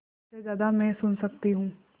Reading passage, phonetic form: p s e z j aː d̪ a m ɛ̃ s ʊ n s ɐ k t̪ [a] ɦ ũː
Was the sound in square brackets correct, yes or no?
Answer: no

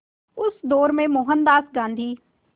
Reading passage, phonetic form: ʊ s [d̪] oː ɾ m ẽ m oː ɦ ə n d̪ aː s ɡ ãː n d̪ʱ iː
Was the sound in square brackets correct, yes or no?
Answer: yes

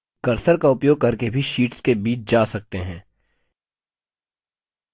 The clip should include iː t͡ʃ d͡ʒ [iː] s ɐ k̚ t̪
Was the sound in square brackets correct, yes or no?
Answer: no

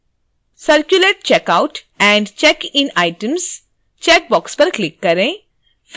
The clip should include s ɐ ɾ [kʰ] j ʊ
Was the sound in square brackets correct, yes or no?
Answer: no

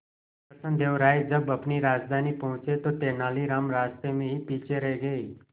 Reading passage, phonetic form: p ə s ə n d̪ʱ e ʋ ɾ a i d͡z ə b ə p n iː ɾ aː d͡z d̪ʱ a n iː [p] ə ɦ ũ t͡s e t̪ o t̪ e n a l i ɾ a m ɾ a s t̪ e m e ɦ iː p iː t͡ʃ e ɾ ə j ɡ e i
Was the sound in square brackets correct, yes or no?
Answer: yes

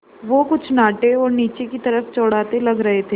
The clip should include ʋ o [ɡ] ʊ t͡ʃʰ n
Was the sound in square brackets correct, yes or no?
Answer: no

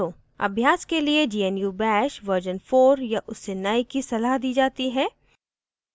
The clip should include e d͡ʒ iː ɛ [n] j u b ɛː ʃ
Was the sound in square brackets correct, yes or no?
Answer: yes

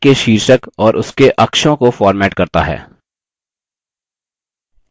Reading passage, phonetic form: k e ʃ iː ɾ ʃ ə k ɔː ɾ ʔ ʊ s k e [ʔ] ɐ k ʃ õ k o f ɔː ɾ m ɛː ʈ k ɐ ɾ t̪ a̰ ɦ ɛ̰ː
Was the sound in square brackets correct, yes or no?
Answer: yes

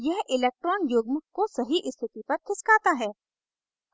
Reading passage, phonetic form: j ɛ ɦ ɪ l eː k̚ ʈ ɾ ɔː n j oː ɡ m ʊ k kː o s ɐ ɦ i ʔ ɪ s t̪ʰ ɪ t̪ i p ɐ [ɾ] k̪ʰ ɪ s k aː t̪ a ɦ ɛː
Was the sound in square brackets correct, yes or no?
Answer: yes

